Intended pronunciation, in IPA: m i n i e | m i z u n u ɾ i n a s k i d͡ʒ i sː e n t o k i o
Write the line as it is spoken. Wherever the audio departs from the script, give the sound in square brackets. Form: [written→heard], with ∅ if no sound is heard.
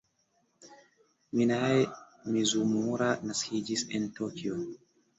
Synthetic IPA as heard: m i n [i→a] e | m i z u [n→m] u ɾ [i→a] n a s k i d͡ʒ i [sː→s] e n t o k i o